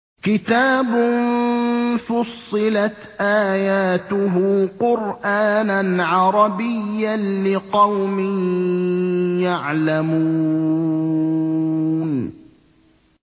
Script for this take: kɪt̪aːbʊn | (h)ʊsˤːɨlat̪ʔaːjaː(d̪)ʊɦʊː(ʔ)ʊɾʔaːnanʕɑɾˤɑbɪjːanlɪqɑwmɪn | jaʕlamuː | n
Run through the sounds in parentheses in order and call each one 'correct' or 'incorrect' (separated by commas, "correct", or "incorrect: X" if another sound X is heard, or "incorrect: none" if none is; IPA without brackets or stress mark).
incorrect: f, incorrect: t̪, incorrect: q